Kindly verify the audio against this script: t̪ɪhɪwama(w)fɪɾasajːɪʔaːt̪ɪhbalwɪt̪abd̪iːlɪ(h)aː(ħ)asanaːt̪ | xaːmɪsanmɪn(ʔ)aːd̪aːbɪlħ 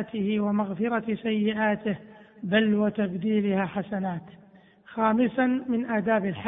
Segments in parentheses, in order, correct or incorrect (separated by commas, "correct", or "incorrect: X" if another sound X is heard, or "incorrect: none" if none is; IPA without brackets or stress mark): incorrect: ɣ, correct, correct, correct